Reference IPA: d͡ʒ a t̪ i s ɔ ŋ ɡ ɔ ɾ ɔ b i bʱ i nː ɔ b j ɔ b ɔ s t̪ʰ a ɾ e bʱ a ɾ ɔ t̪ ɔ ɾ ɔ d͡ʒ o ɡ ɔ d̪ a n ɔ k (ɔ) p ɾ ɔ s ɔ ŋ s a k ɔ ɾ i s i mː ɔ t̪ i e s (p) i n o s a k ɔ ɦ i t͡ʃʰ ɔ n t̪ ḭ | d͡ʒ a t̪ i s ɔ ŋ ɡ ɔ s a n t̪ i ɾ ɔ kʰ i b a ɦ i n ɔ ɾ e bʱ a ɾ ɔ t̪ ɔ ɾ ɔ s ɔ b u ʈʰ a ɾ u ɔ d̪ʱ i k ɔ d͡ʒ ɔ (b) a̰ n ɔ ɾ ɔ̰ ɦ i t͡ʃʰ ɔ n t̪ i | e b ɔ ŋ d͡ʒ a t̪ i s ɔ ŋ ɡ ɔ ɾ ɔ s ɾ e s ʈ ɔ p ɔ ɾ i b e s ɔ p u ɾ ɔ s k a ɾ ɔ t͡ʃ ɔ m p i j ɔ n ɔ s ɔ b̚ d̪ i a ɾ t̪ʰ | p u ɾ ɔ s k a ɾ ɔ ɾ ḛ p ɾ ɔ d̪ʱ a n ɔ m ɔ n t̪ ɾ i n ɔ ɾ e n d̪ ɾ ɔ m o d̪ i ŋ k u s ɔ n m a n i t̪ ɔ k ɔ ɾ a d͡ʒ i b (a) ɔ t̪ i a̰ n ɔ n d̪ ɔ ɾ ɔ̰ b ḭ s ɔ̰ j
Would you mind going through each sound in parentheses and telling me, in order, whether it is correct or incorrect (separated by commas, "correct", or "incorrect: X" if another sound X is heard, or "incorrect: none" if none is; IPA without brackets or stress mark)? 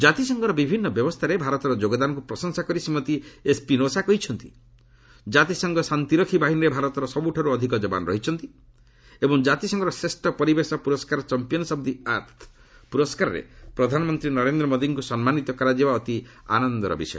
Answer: incorrect: u, correct, correct, correct